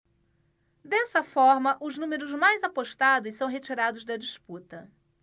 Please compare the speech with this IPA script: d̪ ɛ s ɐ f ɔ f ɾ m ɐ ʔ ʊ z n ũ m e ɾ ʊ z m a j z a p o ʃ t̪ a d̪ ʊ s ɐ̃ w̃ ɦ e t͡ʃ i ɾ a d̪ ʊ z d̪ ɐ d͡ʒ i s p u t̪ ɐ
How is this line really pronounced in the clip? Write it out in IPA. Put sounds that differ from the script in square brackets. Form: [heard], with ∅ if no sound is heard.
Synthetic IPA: d̪ ɛ s ɐ f ɔ [∅] ɾ m ɐ ʔ ʊ z n ũ m e ɾ ʊ z m a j z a p o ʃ t̪ a d̪ ʊ s ɐ̃ w̃ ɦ e t͡ʃ i ɾ a d̪ ʊ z d̪ ɐ d͡ʒ i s p u t̪ ɐ